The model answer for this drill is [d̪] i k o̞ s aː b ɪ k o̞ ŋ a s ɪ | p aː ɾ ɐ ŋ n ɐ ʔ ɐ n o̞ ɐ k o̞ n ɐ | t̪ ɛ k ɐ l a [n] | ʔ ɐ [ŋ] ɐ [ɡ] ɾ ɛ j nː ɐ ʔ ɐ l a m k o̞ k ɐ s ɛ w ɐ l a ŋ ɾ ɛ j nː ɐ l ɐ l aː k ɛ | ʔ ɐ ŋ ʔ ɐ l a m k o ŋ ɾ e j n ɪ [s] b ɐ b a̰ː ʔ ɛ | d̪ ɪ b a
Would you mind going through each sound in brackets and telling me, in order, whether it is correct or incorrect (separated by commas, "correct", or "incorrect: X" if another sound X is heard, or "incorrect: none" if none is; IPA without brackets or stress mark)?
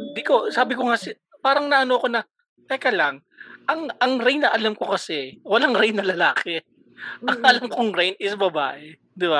correct, incorrect: ŋ, correct, incorrect: ŋ, correct